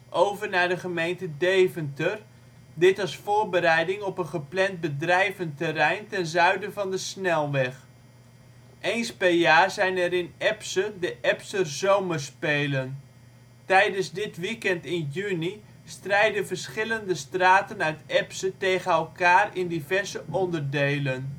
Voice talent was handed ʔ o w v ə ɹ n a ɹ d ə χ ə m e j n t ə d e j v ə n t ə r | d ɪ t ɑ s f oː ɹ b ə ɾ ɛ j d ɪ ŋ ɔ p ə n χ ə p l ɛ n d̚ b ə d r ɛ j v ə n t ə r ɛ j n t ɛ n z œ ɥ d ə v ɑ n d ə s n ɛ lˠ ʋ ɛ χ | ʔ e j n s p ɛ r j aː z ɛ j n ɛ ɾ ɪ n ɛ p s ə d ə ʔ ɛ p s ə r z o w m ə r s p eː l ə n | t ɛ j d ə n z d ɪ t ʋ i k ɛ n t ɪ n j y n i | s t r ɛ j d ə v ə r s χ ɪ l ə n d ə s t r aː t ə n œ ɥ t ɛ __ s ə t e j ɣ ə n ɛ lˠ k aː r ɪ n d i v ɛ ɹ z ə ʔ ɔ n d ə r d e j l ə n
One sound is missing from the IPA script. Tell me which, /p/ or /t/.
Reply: p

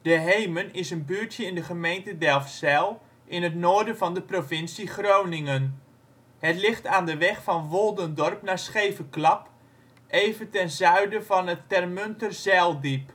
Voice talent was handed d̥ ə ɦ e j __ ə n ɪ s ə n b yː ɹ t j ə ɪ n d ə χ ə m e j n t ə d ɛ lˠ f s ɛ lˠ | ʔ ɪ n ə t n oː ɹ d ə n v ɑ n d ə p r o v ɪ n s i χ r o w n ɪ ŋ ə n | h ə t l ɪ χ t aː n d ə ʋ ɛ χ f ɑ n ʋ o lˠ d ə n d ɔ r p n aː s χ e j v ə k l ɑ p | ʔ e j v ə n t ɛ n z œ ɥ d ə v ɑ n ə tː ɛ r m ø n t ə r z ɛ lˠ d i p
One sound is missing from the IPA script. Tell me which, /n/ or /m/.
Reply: m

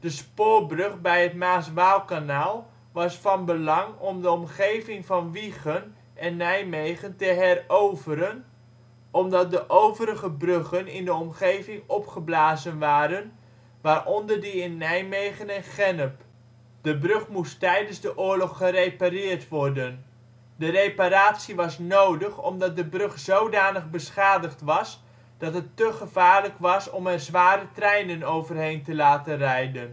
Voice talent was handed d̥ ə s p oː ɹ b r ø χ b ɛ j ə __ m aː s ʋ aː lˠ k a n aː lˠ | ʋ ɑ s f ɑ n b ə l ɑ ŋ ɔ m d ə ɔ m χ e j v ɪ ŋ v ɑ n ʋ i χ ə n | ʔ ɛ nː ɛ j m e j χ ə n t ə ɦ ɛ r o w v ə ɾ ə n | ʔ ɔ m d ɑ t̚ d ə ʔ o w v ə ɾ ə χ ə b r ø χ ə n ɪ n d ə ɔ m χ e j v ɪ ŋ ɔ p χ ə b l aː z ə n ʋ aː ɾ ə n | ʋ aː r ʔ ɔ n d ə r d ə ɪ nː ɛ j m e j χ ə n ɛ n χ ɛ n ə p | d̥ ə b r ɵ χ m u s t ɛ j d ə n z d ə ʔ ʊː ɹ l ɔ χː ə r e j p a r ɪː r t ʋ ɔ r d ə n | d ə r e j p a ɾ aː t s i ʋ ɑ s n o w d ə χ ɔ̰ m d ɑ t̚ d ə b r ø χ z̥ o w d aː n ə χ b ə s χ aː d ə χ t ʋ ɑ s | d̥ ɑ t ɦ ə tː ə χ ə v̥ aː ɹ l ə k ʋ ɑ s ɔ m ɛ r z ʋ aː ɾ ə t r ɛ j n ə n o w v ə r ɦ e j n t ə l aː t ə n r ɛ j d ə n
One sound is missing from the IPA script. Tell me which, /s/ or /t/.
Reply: t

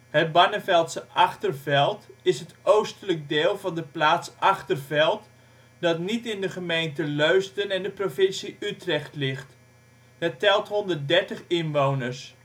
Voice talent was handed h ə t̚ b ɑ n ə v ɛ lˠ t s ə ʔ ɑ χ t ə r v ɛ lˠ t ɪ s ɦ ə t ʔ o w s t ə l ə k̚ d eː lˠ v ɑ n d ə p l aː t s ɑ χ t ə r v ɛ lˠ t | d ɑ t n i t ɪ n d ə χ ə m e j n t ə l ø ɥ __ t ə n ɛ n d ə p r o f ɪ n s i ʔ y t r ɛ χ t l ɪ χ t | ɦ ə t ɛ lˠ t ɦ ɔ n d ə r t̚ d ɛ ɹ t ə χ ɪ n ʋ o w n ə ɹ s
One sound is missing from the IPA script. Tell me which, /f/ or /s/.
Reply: s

